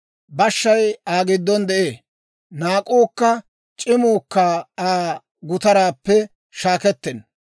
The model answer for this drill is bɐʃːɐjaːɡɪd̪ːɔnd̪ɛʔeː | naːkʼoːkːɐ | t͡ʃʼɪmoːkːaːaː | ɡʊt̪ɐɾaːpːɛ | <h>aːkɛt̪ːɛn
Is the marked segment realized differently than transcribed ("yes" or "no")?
yes